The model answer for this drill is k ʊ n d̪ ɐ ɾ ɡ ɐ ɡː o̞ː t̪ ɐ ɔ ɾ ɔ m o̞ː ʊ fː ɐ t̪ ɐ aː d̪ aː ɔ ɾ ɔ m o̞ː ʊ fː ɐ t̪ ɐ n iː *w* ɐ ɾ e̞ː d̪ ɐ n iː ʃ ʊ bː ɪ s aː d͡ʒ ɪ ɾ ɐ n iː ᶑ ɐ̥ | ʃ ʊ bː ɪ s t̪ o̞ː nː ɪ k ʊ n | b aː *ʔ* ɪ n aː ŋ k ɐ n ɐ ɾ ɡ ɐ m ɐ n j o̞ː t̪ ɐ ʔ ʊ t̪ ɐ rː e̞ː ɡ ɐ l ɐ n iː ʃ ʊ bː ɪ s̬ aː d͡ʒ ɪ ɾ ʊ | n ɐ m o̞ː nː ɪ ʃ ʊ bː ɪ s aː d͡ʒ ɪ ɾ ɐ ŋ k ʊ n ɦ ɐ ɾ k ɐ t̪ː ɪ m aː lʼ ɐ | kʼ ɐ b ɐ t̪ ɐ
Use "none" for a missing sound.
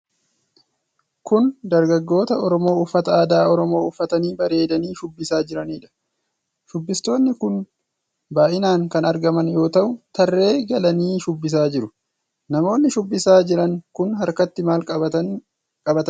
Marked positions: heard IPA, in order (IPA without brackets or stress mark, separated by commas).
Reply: b, ʔ